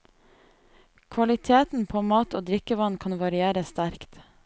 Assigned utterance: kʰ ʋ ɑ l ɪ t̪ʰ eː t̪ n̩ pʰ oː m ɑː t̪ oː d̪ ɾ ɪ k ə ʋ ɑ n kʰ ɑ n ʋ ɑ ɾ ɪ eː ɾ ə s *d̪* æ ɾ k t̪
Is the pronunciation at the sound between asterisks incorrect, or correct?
incorrect: t̪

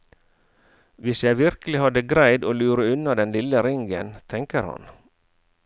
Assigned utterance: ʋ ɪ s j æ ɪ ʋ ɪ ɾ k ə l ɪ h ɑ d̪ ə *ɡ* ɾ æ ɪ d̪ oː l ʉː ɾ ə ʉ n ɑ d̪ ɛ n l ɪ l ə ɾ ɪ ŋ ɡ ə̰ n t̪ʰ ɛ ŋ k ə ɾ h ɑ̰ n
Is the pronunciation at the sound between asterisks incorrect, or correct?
correct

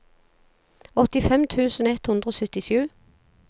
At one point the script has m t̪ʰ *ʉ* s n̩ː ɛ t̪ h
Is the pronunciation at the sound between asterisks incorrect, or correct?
incorrect: ʉː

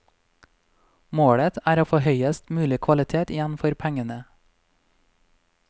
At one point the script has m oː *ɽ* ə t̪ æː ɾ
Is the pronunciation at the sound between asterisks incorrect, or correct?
correct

